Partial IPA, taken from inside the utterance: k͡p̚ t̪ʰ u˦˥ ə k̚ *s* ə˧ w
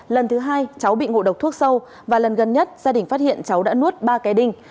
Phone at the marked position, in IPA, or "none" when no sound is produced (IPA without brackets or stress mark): s